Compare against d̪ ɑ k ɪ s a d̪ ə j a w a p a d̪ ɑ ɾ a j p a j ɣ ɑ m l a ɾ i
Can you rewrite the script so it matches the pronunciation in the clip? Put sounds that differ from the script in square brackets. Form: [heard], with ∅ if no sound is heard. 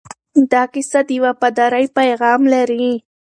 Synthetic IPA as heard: d̪ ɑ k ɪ s a d̪ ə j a w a p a d̪ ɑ ɾ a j p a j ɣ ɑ m l a ɾ i